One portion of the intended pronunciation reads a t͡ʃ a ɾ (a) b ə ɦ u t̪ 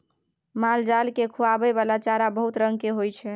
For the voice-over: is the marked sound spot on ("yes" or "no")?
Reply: yes